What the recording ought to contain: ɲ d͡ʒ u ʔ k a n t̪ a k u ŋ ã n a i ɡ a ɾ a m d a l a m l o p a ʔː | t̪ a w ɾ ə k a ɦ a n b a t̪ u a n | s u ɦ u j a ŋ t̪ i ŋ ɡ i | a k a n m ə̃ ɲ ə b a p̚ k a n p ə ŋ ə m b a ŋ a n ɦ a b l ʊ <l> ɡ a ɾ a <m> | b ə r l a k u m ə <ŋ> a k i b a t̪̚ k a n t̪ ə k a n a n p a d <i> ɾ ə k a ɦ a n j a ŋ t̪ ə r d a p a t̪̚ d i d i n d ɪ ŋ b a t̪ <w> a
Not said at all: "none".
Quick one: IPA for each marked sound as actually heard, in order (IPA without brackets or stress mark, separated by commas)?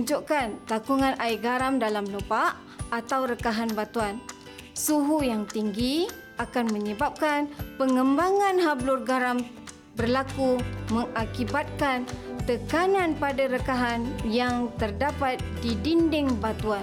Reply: r, m, ŋ, a, u